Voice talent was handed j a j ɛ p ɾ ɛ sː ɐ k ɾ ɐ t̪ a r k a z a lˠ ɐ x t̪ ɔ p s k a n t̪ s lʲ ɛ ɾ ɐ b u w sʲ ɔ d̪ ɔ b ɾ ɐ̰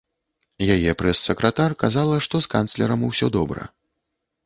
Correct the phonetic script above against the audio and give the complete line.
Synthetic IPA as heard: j a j ɛ p ɾ ɛ sː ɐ k ɾ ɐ t̪ a r k a z a lˠ ɐ ʂ t̪ ɔ s k a n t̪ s lʲ ɛ ɾ ɐ m u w sʲ ɔ d̪ ɔ b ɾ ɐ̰